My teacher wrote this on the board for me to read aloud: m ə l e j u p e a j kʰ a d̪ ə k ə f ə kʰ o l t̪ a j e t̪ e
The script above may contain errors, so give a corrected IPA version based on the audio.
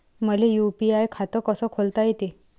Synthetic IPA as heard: m ə l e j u p i a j kʰ a t̪ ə k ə s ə kʰ o l t̪ a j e t̪ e